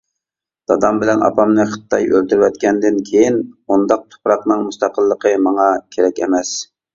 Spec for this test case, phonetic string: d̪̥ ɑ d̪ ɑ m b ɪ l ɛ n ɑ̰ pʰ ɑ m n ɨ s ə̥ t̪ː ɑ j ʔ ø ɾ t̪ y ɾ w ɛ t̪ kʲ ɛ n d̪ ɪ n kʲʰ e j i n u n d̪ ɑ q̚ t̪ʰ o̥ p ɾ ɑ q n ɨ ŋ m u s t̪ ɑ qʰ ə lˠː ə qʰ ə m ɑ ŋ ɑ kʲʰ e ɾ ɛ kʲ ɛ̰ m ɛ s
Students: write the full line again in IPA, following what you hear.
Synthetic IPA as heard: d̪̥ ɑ d̪ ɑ m b ɪ l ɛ n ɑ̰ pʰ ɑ m n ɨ χ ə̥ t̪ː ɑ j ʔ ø l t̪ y ɾ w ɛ t̪ kʲ ɛ n d̪ ɪ n kʲʰ e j i n u n d̪ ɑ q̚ t̪ʰ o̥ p ɾ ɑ q n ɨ ŋ m u s t̪ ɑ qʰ ə lˠː ə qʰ ə m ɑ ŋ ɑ kʲʰ e ɾ ɛ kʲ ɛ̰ m ɛ s

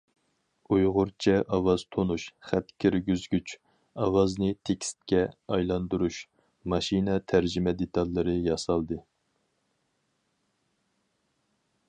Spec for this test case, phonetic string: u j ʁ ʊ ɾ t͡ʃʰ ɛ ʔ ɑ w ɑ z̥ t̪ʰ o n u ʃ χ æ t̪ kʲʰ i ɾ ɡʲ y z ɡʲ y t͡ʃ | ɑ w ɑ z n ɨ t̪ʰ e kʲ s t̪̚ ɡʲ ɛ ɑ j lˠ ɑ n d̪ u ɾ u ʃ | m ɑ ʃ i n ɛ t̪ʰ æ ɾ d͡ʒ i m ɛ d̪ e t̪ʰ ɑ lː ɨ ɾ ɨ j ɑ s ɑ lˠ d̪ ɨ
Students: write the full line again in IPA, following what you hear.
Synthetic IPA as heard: u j ʁ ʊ ɾ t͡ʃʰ ɛ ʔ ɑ w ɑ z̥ t̪ʰ o n u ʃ χ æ t̪ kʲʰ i ɾ ɡʲ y z ɡʲ y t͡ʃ | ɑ w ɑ z n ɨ t̪ʰ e kʲ s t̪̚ kʲ ɛ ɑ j lˠ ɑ n d̪ u ɾ u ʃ | m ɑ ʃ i n ɛ t̪ʰ æ ɾ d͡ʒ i m ɛ d̪ e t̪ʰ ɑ lː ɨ ɾ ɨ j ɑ s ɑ lˠ d̪ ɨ

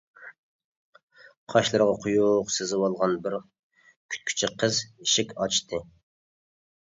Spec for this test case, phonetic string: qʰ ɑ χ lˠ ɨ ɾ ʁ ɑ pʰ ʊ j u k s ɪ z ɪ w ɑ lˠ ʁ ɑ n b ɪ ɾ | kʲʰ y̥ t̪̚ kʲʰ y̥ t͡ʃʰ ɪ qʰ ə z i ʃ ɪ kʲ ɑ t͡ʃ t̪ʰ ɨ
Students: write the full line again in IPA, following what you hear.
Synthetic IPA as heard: qʰ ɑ ʃ lˠ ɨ ɾ ʁ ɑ qʰ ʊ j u q s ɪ z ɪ w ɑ lˠ ʁ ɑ n b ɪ ɾ | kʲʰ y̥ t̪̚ kʲʰ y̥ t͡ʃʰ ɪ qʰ ə z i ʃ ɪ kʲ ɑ t͡ʃ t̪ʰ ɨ

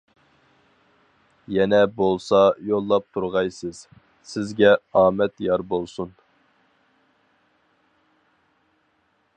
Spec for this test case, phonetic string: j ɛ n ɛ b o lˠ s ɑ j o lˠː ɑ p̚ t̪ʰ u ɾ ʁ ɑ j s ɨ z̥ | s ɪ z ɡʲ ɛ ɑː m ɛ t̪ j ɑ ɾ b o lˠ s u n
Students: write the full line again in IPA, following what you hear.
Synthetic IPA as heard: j ɛ n ɛ b o lˠ s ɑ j o lˠː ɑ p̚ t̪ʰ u ɾ ʁ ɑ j s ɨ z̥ | s ɪ z ɡʲ ɛ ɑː m ɛ t̪ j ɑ ɾ b o lˠ s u n

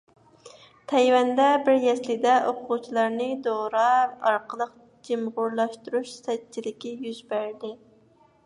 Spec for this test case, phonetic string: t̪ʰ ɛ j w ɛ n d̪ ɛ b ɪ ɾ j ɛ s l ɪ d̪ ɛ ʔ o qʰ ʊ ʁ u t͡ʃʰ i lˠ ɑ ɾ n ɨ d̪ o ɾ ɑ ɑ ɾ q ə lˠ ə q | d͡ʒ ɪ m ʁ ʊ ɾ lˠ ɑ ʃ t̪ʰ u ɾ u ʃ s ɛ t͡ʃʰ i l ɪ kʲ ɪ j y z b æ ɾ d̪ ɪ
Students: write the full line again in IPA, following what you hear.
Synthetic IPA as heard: t̪ʰ ɛ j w ɛ n d̪ ɛ b ɪ ɾ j ɛ s l ɪ d̪ ɛ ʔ o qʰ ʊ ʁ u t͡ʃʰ i lˠ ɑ ɾ n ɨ d̪ o ɾ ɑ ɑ ɾ q ə lˠ ə q | d͡ʒ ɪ m ʁ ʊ ɾ lˠ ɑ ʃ t̪ u ɾ u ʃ s ɛ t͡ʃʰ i l ɪ kʲ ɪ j y z b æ ɾ d̪ ɪ

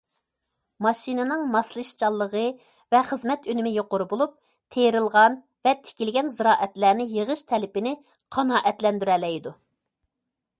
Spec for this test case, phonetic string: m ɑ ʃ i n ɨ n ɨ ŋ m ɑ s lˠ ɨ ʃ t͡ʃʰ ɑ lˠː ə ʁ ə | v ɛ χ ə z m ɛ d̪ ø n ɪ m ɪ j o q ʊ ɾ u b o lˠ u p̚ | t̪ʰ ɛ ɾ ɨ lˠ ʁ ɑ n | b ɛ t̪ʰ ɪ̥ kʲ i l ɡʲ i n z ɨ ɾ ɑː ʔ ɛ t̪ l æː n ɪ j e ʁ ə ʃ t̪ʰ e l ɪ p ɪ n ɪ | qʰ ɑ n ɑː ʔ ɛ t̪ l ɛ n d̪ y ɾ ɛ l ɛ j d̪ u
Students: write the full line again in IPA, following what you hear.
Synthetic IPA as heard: m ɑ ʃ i n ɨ n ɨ ŋ m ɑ s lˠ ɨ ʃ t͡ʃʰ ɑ lˠː ə ʁ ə | v ɛ χ ə z m ɛ t̪ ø n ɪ m ɪ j o q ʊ ɾ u b o lˠ u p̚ | t̪ʰ e ɾ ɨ lˠ ʁ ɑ n | v ɛ t̪ʰ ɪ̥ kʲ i l ɡʲ ɛ n z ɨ ɾ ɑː ʔ ɛ t̪ l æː n ɪ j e ʁ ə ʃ t̪ʰ ɛ l ɪ p ɪ n ɪ | qʰ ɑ n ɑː ʔ ɛ t̪ l ɛ n d̪ y ɾ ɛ l ɛ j d̪ u

